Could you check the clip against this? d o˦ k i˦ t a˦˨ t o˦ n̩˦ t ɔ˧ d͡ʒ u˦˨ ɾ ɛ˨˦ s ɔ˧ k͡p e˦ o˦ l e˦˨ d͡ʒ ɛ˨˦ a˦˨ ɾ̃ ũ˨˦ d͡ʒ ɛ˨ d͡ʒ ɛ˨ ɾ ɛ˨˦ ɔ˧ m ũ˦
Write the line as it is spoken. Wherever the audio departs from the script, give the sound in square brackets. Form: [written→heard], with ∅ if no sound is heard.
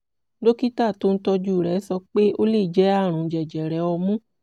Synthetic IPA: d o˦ k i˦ t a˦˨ t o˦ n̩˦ t ɔ˧ d͡ʒ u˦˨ ɾ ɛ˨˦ s ɔ˧ k͡p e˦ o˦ l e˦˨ d͡ʒ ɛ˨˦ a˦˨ ɾ̃ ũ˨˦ d͡ʒ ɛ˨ d͡ʒ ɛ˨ ɾ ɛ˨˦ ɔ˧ m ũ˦